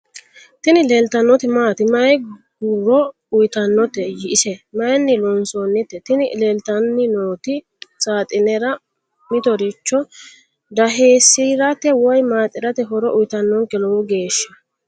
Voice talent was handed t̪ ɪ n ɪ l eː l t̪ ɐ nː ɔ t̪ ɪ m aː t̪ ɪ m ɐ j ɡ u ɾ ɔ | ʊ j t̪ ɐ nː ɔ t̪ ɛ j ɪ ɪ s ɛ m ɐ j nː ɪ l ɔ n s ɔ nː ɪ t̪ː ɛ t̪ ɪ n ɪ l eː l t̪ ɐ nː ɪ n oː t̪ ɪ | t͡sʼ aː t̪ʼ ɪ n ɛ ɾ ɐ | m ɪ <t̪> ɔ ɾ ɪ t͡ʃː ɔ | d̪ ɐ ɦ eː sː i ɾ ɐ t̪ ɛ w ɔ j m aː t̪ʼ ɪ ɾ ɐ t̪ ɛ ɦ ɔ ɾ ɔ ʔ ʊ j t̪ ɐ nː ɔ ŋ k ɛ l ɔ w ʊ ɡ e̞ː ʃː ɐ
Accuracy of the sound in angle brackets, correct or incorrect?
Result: correct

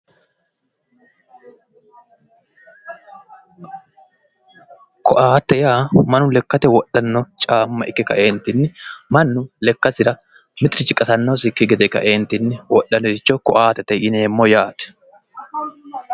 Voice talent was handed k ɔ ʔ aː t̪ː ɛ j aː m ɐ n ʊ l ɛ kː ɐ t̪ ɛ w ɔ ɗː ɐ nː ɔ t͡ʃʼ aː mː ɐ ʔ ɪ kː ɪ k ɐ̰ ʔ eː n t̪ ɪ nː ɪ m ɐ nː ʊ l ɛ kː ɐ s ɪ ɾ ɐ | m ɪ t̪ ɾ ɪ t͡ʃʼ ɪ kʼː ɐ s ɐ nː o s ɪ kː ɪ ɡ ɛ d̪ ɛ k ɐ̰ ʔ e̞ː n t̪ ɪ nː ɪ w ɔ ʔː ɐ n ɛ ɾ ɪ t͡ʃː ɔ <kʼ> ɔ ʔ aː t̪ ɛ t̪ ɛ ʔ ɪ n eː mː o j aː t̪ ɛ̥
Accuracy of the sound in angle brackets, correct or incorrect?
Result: incorrect: k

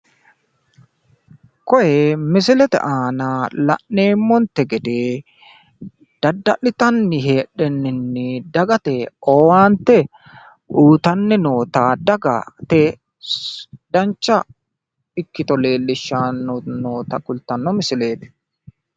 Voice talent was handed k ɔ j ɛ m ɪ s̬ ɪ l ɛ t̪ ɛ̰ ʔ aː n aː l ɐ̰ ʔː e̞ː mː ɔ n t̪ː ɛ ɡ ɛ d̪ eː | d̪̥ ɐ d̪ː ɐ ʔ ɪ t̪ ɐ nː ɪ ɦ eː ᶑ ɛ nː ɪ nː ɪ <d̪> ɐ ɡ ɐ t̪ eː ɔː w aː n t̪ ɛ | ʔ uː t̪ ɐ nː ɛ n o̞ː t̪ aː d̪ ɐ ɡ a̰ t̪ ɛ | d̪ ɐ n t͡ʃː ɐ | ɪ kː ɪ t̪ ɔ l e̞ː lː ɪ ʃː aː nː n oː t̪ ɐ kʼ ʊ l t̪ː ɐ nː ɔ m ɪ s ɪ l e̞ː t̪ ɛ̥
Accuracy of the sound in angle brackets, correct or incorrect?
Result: correct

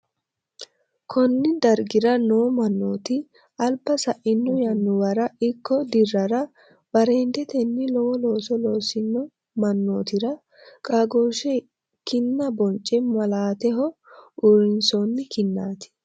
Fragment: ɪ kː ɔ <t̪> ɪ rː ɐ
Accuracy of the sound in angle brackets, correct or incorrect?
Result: incorrect: d̪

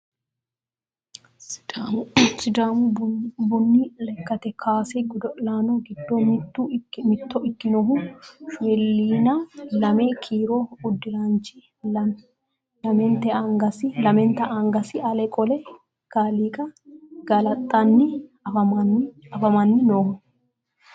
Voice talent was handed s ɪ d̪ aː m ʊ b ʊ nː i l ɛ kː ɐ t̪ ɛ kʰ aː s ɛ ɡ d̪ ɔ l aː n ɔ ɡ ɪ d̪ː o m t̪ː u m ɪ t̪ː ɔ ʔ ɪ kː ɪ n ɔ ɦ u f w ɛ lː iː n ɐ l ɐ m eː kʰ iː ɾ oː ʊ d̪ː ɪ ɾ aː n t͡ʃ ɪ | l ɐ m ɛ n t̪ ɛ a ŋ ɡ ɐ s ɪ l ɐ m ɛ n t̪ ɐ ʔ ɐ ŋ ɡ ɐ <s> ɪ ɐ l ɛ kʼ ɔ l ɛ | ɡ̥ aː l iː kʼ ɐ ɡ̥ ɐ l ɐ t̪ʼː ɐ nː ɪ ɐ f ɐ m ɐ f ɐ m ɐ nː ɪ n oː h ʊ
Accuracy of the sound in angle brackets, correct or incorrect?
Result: correct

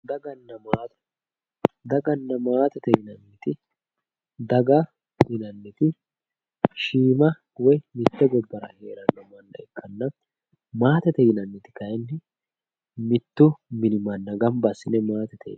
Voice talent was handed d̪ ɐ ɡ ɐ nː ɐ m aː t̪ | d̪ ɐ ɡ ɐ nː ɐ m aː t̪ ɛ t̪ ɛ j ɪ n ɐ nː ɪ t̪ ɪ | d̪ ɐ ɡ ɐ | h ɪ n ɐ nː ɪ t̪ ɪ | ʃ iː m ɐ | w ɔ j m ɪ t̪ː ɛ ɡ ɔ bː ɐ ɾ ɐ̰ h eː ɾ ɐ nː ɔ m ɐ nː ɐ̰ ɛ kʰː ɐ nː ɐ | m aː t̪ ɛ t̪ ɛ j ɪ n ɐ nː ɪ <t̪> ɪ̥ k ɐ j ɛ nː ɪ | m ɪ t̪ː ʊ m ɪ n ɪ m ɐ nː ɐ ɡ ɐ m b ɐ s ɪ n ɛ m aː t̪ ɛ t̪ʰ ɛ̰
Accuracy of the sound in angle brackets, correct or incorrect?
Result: correct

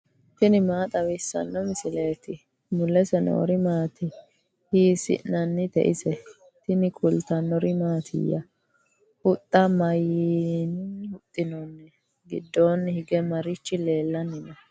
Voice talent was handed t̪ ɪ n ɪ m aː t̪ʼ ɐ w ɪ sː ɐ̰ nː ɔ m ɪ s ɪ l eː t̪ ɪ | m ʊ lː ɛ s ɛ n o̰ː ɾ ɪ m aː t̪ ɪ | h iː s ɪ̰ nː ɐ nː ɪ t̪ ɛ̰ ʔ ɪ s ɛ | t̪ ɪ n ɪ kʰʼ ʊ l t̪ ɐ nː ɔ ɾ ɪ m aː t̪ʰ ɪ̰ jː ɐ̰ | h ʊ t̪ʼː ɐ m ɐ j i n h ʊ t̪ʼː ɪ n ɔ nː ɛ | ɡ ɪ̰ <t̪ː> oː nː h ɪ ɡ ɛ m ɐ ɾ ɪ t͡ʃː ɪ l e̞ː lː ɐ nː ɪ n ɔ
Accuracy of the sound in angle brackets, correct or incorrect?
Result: incorrect: d̪ː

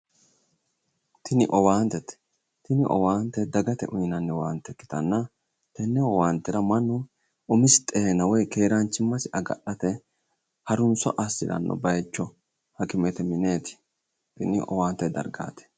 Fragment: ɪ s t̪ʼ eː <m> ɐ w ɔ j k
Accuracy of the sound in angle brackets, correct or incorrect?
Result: incorrect: n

